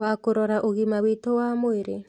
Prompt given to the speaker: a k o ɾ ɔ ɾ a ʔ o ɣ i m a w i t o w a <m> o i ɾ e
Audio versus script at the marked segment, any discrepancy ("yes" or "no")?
no